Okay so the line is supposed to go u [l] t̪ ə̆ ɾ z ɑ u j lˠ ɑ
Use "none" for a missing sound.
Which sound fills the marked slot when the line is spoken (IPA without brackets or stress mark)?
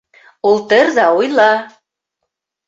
l